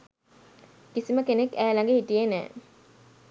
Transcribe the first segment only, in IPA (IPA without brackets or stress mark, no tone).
k